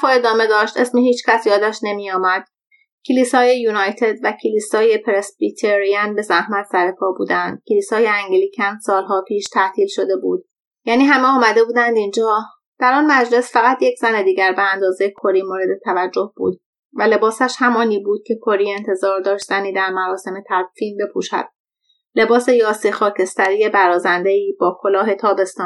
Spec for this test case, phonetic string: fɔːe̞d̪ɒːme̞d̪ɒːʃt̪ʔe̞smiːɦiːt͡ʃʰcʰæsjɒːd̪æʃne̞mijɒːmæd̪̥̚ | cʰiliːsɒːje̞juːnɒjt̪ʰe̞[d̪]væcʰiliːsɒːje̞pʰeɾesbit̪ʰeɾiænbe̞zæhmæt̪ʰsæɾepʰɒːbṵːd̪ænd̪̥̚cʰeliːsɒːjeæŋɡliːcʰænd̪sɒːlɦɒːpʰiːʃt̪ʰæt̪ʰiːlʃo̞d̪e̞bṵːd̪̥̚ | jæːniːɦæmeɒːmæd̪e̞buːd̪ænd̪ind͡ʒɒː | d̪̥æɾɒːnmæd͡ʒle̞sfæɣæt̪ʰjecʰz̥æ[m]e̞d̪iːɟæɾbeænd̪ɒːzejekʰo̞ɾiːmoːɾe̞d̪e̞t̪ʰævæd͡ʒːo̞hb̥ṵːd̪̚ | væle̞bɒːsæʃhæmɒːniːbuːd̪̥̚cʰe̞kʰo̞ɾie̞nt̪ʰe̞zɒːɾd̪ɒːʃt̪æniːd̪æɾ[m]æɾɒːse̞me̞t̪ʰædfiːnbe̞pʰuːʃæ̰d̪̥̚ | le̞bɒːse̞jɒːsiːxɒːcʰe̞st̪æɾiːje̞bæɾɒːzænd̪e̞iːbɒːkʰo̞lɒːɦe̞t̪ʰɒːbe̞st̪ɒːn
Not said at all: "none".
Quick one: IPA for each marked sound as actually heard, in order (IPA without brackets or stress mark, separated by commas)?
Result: d̪, n, m